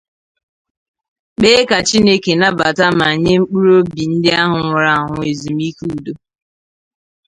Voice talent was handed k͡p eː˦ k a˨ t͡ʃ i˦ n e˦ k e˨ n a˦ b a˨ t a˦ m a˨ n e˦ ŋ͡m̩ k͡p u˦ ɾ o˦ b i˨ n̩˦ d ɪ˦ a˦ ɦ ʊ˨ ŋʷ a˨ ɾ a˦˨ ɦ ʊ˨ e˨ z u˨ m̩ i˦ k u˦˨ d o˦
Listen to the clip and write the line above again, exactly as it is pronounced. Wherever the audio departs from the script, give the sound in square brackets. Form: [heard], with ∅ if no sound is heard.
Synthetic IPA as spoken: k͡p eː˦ k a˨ t͡ʃ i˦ n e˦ k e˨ n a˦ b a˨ t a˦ m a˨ [ɲ] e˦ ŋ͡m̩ k͡p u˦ ɾ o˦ b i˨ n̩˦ d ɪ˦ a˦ ɦ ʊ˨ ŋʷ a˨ ɾ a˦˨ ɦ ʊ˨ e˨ z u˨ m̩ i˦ k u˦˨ d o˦